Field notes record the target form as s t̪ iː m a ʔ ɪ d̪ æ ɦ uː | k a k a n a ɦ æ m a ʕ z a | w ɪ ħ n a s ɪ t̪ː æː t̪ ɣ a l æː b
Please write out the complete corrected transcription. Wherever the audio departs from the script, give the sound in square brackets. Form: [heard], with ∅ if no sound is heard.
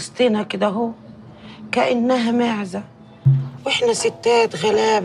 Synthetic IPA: s t̪ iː [n] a [k] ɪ d̪ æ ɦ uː | k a [ʔ] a [nː] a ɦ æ m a ʕ z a | w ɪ ħ n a s ɪ t̪ː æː t̪ ɣ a l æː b